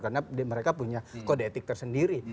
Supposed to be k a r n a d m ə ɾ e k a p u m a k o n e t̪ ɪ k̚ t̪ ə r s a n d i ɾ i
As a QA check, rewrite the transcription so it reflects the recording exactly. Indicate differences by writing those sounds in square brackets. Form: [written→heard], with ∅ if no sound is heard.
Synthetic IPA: k a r n a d m ə ɾ e k a p u [m→ɲ] a k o [n→d] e t̪ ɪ k̚ t̪ ə r s [a→ə] n d i ɾ i

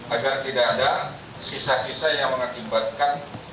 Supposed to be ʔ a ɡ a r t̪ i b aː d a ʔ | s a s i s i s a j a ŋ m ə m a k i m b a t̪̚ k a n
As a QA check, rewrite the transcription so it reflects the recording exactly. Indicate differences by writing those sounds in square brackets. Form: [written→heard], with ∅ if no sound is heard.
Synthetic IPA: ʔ a ɡ a r t̪ i [b→d] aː d a [ʔ→∅] | s [a→i] s [i→a] s i s a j a ŋ m ə [m→ŋ] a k i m b a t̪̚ k a n

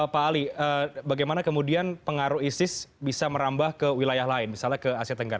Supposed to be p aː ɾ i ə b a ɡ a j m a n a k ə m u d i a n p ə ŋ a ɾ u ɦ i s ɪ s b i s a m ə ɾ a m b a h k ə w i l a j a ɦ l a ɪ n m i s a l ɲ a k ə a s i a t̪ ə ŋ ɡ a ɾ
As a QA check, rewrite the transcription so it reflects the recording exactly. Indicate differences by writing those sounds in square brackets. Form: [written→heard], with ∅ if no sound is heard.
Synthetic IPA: p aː [ɾ→l] i ə b a ɡ a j m a n a k ə m u d i a n p ə ŋ a ɾ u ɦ i s ɪ s b i s a m ə ɾ a m b a h k ə w i l a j a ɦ l a ɪ n m i s a l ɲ a k ə a s i a t̪ ə ŋ ɡ a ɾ

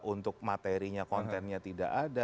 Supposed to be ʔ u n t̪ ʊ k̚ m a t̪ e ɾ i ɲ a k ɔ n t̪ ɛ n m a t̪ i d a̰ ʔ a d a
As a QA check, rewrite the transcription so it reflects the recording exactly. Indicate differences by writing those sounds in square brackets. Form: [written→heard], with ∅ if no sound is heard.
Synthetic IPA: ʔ u n t̪ ʊ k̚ m a t̪ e ɾ i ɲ a k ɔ n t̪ ɛ n [m→ɲ] a t̪ i d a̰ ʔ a d a

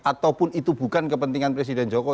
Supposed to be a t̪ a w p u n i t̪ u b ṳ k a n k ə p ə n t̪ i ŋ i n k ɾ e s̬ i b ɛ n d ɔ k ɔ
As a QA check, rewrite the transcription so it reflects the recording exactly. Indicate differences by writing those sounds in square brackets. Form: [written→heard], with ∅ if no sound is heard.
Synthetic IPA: a t̪ a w p [u→ʊ] n i t̪ u b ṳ k a n k ə p ə n t̪ i ŋ [i→a] n [k→p] ɾ e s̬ i [b→d] ɛ n [d→d͡ʒ] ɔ k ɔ

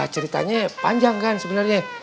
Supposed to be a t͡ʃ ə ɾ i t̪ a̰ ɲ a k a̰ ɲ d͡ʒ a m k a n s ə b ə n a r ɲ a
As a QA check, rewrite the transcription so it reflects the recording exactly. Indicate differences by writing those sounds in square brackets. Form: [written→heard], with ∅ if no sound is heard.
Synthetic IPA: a t͡ʃ ə ɾ i t̪ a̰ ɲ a [k→p] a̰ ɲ d͡ʒ a [m→ŋ] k a n s ə b ə n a r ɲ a

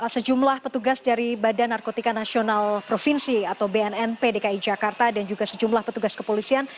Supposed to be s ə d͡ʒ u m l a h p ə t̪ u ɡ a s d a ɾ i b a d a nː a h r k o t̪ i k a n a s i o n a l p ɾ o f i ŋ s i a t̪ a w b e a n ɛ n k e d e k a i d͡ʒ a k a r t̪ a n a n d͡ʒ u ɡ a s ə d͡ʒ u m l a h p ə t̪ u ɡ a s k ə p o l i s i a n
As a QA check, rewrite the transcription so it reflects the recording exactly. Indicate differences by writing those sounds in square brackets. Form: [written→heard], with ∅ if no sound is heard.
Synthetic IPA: s ə d͡ʒ u m l a h p ə t̪ u ɡ a s d a ɾ i b a d a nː a [h→∅] r k o t̪ i k a n a s i o n a l p ɾ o f i [ŋ→n] s i a t̪ a w b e [a→ɛ] n ɛ n [k→p] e d e k a i d͡ʒ a k a r t̪ a [n→d] a n d͡ʒ u ɡ a s ə d͡ʒ u m l a h p ə t̪ u ɡ a s k ə p o l i s i a n

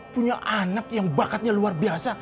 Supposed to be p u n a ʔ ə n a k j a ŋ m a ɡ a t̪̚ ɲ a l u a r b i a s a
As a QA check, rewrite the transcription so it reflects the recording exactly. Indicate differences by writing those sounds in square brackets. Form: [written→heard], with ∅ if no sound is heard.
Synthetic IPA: p u [n→ɲ] a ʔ [ə→a] n a k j a ŋ [m→b] a [ɡ→k] a t̪̚ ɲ a l u a r b i a s a

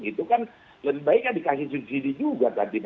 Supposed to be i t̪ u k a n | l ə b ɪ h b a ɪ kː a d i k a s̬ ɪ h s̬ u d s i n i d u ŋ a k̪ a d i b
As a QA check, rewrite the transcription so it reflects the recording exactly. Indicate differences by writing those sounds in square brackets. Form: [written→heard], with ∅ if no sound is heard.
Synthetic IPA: i t̪ u k a n | l ə b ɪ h b a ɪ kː a d i k a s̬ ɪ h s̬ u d s i [n→d] i [d→d͡ʒ] u [ŋ→ɡ] a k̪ a d i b

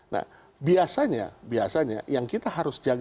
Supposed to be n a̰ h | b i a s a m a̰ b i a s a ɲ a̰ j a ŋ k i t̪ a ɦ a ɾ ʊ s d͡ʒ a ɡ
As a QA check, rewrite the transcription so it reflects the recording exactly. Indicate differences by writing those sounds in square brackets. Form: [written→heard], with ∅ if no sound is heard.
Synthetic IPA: n a̰ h | b i a s a [m→ɲ] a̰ b i a s a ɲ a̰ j a ŋ k i t̪ a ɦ a ɾ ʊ s d͡ʒ a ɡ

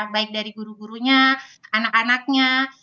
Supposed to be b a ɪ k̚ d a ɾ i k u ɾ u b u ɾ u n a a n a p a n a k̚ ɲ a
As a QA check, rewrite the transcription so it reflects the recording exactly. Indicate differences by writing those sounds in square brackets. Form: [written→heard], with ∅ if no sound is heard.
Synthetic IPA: b a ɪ k̚ d a ɾ i [k→ɡ] u ɾ u [b→ɡ] u ɾ u [n→ɲ] a a n a [p→k] a n a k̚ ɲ a

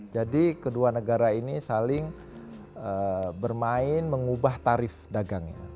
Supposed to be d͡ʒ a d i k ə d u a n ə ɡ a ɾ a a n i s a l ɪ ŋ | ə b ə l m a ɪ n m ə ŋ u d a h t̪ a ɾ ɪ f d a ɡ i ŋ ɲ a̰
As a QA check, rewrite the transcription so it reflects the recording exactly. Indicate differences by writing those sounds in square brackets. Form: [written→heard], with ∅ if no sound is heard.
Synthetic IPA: d͡ʒ a d i k ə d u a n ə ɡ a ɾ a [a→i] n i s a l ɪ ŋ | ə b ə [l→r] m a ɪ n m ə ŋ u [d→b] a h t̪ a ɾ ɪ f d a ɡ [i→a] ŋ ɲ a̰

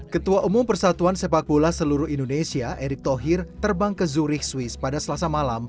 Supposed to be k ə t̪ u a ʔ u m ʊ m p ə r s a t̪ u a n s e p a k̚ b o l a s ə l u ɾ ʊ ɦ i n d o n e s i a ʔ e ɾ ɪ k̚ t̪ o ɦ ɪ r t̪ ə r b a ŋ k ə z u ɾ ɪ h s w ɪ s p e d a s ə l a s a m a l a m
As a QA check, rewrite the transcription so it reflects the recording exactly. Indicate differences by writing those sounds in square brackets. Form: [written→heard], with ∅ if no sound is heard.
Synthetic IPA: k ə t̪ u a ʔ u m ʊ m p ə r s a t̪ u a n s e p a k̚ b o l a s ə l u ɾ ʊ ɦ i n d o n e s i a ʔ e ɾ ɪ k̚ t̪ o ɦ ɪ r t̪ ə r b a ŋ k ə z u ɾ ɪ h s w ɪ s p [e→a] d a s ə l a s a m a l a m

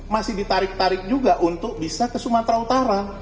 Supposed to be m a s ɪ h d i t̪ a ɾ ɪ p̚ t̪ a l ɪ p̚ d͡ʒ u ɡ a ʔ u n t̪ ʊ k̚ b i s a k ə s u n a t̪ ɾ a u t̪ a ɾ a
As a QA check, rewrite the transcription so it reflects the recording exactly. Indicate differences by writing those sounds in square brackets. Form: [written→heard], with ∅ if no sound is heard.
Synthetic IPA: m a s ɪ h d i t̪ a ɾ ɪ [p̚→k̚] t̪ a [l→ɾ] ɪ [p̚→k̚] d͡ʒ u ɡ a ʔ u n t̪ ʊ k̚ b i s a k ə s u [n→m] a t̪ ɾ a u t̪ a ɾ a

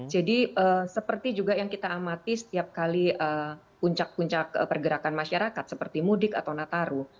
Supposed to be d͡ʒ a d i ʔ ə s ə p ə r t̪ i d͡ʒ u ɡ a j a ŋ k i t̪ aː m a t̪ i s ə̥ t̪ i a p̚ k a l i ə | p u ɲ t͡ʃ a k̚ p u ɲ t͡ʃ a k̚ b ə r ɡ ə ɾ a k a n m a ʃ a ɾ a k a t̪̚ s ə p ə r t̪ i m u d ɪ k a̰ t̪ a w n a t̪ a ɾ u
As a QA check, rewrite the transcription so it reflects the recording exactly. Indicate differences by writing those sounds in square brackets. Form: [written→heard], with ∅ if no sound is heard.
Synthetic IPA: d͡ʒ a d i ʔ ə s ə p ə r t̪ i d͡ʒ u ɡ a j a ŋ k i t̪ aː m a t̪ i s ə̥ t̪ i a p̚ k a l i ə | p u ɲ t͡ʃ a k̚ p u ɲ t͡ʃ a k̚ [b→p] ə r ɡ ə ɾ a k a n m a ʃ a ɾ a k a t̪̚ s ə p ə r t̪ i m u d ɪ k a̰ t̪ a w n a t̪ a ɾ u

